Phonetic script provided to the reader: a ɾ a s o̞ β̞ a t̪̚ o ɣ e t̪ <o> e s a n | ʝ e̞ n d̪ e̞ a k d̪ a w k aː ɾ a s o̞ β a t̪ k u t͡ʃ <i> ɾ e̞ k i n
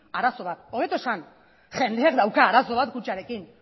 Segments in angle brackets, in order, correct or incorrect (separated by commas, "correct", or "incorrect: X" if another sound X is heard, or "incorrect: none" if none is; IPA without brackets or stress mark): correct, incorrect: a